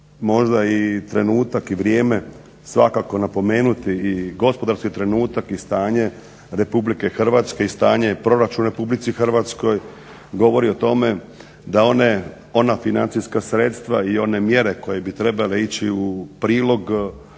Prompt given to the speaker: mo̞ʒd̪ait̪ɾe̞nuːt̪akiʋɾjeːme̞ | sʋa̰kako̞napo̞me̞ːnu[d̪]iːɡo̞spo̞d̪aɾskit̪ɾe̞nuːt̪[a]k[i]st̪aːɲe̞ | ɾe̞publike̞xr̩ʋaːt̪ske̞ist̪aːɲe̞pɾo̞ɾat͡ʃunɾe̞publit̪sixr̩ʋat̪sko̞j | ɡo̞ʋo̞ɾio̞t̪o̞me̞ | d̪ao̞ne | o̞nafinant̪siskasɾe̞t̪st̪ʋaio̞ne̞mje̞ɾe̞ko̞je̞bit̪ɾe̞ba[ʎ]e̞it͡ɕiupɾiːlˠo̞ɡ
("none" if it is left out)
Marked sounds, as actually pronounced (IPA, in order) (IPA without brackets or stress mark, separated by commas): t̪, a, i, l